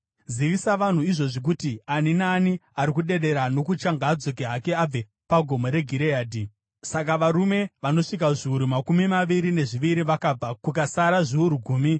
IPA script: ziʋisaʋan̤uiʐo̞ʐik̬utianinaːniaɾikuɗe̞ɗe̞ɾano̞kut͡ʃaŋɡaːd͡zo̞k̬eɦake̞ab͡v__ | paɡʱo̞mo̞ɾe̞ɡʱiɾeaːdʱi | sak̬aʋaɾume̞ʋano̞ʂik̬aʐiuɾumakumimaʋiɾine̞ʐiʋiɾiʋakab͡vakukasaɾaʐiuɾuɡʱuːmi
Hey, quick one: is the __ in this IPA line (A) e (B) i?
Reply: A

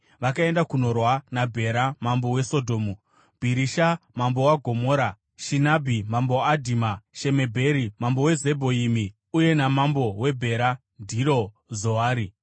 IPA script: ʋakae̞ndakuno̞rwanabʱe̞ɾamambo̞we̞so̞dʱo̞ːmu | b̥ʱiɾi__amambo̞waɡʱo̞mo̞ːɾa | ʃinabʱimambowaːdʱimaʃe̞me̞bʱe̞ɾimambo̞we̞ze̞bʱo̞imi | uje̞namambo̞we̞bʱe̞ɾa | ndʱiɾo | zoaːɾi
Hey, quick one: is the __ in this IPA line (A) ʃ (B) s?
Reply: A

